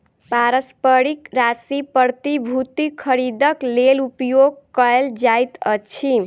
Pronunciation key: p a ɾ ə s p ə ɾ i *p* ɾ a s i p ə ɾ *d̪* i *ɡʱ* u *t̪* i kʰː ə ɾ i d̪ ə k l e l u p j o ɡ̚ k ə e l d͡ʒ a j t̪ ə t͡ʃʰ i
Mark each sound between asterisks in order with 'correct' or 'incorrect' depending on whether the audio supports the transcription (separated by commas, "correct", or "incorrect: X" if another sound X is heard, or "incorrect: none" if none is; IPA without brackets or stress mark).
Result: incorrect: k, incorrect: t̪, incorrect: bʱ, correct